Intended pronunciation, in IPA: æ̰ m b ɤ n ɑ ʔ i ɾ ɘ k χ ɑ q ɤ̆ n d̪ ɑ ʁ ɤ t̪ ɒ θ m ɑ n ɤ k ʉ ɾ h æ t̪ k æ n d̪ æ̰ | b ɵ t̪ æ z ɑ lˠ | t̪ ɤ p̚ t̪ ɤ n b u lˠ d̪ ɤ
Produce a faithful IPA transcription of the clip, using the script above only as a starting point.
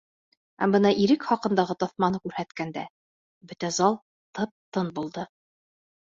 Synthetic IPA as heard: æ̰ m b ɤ n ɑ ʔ i ɾ ɘ k χ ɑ q ɤ̆ n d̪ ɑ ʁ ɤ t̪ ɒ θ m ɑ n ɤ k ʉ ɾ h æ t̪ k æ n d̪ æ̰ | b ɵ t̪ æ z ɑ lˠ | t̪ ɤ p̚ t̪ ɤ n b u lˠ d̪ ɤ